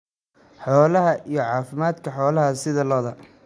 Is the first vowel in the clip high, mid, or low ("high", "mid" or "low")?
mid